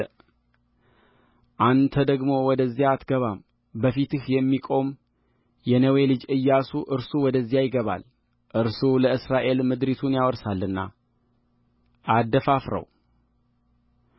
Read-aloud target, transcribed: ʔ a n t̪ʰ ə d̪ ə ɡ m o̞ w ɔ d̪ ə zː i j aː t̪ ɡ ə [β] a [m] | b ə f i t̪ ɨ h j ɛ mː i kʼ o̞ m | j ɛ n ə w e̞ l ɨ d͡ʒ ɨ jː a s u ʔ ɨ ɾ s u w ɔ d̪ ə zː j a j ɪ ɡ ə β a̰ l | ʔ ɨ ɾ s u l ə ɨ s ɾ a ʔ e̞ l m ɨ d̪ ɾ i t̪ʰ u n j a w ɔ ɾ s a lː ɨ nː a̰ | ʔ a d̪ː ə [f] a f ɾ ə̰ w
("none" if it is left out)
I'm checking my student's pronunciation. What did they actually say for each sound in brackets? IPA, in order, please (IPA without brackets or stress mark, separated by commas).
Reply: β, m, f